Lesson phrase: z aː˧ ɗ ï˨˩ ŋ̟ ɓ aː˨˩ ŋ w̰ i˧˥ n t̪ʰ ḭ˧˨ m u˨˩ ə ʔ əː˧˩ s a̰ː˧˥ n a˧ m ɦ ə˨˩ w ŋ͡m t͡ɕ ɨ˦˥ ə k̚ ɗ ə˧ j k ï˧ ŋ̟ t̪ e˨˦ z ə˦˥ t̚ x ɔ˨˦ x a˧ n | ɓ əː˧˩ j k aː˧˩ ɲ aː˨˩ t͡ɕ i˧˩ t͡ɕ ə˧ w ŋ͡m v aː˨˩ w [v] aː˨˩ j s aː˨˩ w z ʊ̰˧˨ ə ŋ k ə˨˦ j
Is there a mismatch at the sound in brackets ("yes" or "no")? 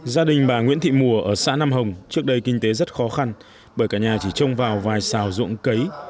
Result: no